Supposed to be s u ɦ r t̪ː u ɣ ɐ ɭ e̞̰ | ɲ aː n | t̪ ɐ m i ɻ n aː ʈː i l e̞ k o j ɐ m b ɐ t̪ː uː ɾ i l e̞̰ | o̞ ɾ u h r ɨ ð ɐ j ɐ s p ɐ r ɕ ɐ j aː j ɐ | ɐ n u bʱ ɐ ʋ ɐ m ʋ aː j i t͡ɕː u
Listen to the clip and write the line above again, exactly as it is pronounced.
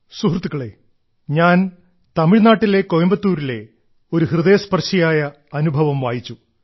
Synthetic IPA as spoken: s u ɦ r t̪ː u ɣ ɐ ɭ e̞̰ | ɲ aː n | t̪ ɐ m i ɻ n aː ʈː i l e̞ k o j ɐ m b ɐ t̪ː uː ɾ i l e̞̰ | o̞ ɾ u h r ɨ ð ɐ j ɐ s p ɐ r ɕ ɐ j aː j ɐ | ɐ n u bʱ ɐ ʋ ɐ m ʋ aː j i t͡ɕː u

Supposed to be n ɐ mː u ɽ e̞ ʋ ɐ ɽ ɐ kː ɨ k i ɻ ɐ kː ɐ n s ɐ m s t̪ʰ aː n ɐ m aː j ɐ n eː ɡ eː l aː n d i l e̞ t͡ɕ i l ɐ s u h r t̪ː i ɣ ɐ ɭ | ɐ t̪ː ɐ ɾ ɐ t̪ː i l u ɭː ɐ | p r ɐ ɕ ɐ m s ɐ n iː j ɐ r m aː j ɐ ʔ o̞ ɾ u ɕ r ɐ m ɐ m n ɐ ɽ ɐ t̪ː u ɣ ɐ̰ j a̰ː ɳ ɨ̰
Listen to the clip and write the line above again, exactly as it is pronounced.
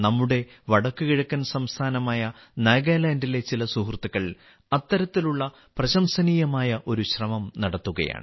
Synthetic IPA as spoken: n ɐ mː u ɽ e̞ ʋ ɐ ɽ ɐ kː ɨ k i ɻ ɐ kː ɐ n s ɐ m s t̪ʰ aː n ɐ m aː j ɐ n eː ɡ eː l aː n d i l e̞ t͡ɕ i l ɐ s u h r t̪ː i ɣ ɐ ɭ | ɐ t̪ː ɐ ɾ ɐ t̪ː i l u ɭː ɐ | p r ɐ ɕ ɐ m s ɐ n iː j ɐ m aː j ɐ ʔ o̞ ɾ u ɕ r ɐ m ɐ m n ɐ ɽ ɐ t̪ː u ɣ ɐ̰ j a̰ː ɳ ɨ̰

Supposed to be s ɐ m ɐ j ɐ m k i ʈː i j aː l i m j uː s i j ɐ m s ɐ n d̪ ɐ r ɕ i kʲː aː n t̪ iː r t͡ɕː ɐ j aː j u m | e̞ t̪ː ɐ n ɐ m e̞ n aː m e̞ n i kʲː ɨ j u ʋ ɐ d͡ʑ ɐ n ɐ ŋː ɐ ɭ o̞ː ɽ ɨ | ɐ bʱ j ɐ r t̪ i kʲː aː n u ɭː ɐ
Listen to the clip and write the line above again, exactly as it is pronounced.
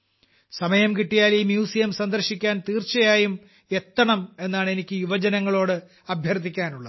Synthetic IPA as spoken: s ɐ m ɐ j ɐ m k i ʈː i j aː l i m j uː s i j ɐ m s ɐ n d̪ ɐ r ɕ i kʲː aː n t̪ iː r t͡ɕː ɐ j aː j u m | e̞ t̪ː ɐ ɳ ɐ m e̞ nː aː ɳ e̞ n i kʲː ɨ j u ʋ ɐ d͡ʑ ɐ n ɐ ŋː ɐ ɭ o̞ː ɽ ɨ | ɐ bʱ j ɐ r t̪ i kʲː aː n u ɭː ɐ

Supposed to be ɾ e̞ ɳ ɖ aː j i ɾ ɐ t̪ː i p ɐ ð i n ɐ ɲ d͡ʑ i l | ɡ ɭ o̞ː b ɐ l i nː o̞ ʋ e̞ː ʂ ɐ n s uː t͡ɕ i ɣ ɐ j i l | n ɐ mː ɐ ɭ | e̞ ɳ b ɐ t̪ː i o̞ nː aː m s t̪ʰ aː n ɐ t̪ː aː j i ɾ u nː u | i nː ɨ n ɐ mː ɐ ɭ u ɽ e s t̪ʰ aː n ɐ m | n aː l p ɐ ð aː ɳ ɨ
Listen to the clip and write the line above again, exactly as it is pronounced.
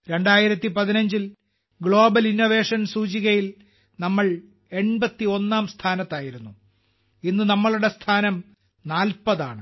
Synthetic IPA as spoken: ɾ e̞ ɳ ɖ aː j i ɾ ɐ t̪ː i p ɐ ð i n ɐ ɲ d͡ʑ i l | ɡ ɭ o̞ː b ɐ l i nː o̞ ʋ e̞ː ʂ ɐ n s uː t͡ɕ i ɣ ɐ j i l | n ɐ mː ɐ ɭ | e̞ ɳ b ɐ t̪ː i o̞ nː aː m s t̪ʰ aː n ɐ t̪ː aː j i ɾ u nː u | i nː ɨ n ɐ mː ɐ ɭ u ɽ e s t̪ʰ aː n ɐ m | n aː l p ɐ ð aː ɳ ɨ

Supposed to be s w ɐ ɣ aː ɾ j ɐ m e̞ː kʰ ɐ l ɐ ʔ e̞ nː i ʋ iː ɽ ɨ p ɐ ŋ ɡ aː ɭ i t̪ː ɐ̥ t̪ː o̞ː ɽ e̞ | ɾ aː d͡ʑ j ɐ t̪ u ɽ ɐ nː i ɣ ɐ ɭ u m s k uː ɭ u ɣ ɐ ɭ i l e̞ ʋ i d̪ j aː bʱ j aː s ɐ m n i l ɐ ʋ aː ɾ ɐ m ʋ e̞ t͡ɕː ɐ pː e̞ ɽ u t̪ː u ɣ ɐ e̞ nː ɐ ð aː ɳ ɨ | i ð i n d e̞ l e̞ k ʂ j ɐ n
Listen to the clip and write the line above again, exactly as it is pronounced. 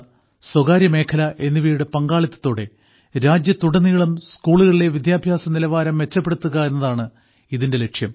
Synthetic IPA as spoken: s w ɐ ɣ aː ɾ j ɐ m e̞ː kʰ ɐ l ɐ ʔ e̞ nː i ʋ iː ɽ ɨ p ɐ ŋ ɡ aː ɭ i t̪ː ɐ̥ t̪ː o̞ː ɽ e̞ | ɾ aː d͡ʑ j ɐ t̪ u ɽ ɐ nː i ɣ ɐ ɭ u m s k uː ɭ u ɣ ɐ ɭ i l e̞ ʋ i d̪ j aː bʱ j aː s ɐ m n i l ɐ ʋ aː ɾ ɐ m ʋ e̞ t͡ɕː ɐ pː e̞ ɽ u t̪ː u ɣ ɐ e̞ nː ɐ ð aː ɳ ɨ | i ð i n d e̞ l e̞ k ʂ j ɐ m

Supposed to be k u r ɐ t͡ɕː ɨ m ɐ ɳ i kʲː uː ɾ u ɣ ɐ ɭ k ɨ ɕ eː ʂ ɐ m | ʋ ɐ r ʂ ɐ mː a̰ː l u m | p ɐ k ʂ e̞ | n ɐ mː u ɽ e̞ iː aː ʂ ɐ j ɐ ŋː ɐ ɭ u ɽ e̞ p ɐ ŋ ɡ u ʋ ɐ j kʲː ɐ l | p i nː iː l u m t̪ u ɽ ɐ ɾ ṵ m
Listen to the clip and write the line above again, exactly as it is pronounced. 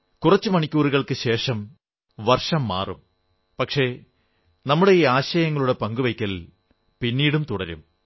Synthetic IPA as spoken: k u r ɐ t͡ɕː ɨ m ɐ ɳ i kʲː uː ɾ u ɣ ɐ ɭ k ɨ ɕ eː ʂ ɐ m | ʋ ɐ r ʂ ɐ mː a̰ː r u m | p ɐ k ʂ e̞ | n ɐ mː u ɽ e̞ iː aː ɕ ɐ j ɐ ŋː ɐ ɭ u ɽ e̞ p ɐ ŋ ɡ u ʋ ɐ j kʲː ɐ l | p i nː iː ɽ u m t̪ u ɽ ɐ ɾ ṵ m

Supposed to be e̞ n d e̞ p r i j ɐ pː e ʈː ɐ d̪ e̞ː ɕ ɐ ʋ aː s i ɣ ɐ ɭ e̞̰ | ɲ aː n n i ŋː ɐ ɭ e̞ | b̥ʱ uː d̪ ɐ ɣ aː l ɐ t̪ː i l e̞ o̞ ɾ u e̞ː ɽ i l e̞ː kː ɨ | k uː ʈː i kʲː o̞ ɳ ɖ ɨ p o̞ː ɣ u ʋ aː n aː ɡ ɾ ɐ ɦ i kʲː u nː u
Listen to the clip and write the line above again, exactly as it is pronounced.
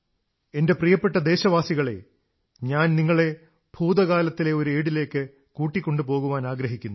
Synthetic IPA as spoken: e̞ n d e̞ p r i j ɐ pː e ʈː ɐ d̪ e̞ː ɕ ɐ ʋ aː s i ɣ ɐ ɭ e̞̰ | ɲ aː n n i ŋː ɐ ɭ e̞ | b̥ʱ uː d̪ ɐ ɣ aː l ɐ t̪ː i l e̞ o̞ ɾ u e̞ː ɽ i l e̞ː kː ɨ | k uː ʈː i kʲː o̞ ɳ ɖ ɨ p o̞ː ɣ u ʋ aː n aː ɡ ɾ ɐ ɦ i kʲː u nː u

